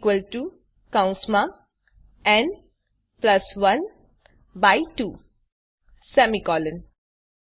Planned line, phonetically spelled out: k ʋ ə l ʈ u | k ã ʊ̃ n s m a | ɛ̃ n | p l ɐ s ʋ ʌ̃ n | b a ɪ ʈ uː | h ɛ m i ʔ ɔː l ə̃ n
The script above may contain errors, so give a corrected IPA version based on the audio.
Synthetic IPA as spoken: k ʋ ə l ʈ u | k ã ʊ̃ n s m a | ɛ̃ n | p l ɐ s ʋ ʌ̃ n | b a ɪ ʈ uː | s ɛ m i k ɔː l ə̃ n